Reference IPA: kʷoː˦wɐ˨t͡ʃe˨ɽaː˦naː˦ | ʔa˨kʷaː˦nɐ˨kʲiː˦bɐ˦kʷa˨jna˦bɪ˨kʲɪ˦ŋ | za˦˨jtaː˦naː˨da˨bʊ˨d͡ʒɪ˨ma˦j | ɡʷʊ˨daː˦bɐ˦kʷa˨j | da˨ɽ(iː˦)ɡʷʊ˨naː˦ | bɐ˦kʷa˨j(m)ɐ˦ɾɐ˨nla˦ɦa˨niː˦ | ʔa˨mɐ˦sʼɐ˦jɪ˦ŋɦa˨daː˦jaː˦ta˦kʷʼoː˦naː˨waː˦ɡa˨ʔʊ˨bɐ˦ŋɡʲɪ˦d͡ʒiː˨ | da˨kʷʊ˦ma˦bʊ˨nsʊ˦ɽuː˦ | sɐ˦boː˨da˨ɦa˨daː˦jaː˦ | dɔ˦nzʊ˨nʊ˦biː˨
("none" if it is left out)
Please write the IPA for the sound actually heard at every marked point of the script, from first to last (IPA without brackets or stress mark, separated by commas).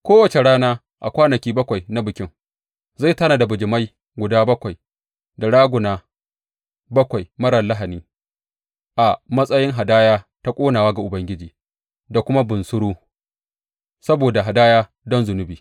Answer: aː˦, m